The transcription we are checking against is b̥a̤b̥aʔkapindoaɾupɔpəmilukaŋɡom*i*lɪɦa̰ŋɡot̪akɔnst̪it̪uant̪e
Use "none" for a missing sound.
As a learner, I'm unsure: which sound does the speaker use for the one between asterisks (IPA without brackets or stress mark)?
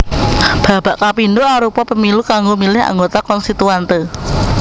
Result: i